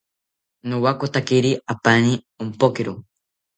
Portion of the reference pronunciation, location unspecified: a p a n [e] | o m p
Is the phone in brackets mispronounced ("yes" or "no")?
yes